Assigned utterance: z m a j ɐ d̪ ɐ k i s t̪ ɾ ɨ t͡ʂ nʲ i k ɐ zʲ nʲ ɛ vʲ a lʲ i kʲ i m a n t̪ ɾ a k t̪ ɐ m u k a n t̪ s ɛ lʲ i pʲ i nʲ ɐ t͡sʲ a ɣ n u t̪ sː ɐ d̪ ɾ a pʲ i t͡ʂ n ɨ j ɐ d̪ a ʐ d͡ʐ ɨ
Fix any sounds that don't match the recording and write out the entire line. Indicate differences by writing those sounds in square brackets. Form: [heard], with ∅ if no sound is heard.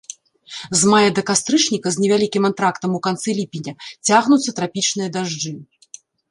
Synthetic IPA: z m a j ɐ d̪ ɐ k [a] s t̪ ɾ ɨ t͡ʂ nʲ i k ɐ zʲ nʲ ɛ vʲ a lʲ i kʲ i m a n t̪ ɾ a k t̪ ɐ m u k a n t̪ s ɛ lʲ i pʲ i nʲ ɐ t͡sʲ a ɣ n u t̪ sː ɐ [t̪] ɾ a pʲ i t͡ʂ n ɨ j ɐ d̪ a ʐ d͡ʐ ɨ